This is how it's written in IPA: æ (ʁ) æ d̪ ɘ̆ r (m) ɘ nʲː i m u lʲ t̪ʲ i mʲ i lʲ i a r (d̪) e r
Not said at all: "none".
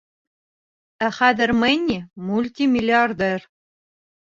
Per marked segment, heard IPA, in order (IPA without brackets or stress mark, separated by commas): χ, m, d̪